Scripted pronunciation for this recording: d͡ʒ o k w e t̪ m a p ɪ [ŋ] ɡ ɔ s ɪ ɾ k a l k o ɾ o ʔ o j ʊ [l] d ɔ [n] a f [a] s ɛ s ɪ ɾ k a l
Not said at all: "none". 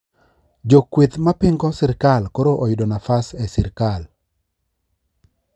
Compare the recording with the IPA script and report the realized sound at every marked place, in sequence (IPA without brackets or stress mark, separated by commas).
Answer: ŋ, none, n, a